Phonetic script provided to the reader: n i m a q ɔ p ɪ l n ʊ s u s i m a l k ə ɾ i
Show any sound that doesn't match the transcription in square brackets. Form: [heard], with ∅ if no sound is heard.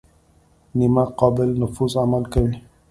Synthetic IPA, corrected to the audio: n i m a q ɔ [b] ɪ l n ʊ [f] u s [a] m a l k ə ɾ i